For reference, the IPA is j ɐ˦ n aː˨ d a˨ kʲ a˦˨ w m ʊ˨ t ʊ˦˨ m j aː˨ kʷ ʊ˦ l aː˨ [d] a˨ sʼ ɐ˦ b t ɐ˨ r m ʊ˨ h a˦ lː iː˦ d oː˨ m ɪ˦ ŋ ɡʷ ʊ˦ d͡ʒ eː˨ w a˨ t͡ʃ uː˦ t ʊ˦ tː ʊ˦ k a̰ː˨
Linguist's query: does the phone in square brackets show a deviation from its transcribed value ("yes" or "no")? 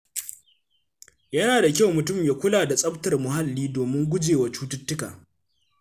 no